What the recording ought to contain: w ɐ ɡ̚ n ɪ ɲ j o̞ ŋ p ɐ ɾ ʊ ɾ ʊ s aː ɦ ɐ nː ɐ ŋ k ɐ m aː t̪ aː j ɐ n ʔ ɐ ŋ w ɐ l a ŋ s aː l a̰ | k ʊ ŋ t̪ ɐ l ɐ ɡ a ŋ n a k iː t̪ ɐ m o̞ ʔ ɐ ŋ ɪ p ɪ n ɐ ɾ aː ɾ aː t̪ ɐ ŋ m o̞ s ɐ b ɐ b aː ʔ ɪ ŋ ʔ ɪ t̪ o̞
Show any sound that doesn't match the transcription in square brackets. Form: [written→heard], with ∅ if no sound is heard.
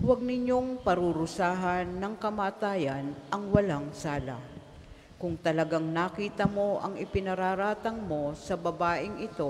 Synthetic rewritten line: w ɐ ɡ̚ n ɪ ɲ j o̞ ŋ p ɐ ɾ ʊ ɾ ʊ s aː ɦ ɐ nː ɐ ŋ k ɐ m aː t̪ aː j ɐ n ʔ ɐ ŋ w ɐ l a ŋ s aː l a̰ | k ʊ ŋ t̪ ɐ l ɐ ɡ a ŋ n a k iː t̪ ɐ m o̞ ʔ ɐ ŋ ɪ p ɪ n ɐ ɾ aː ɾ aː t̪ ɐ ŋ m o̞ s ɐ b ɐ b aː ʔ ɪ ŋ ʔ ɪ t̪ o̞